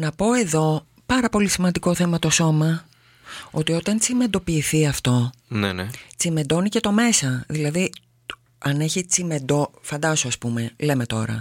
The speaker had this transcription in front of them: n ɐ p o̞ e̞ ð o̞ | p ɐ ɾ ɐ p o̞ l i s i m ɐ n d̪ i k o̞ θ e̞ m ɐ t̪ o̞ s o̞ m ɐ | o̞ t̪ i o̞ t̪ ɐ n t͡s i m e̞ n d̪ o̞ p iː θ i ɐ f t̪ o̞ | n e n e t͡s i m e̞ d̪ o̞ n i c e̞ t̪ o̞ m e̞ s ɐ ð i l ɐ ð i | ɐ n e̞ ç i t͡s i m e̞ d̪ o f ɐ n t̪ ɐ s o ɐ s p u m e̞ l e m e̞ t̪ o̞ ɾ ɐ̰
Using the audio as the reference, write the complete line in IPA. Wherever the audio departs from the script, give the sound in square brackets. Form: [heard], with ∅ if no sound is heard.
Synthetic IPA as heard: n ɐ p o̞ e̞ ð o̞ | p ɐ ɾ ɐ p o̞ l i s i m ɐ n d̪ i k o̞ θ e̞ m ɐ t̪ o̞ s o̞ m ɐ | o̞ t̪ i o̞ t̪ ɐ n t͡s i m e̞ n d̪ o̞ p iː θ i ɐ f t̪ o̞ | n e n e t͡s i m e̞ d̪ o̞ n i c e̞ t̪ o̞ m e̞ s ɐ ð i l ɐ ð i | ɐ n e̞ ç i t͡s i m e̞ d̪ o f ɐ n [d̪] ɐ s o ɐ s p u m e̞ l e m e̞ t̪ o̞ ɾ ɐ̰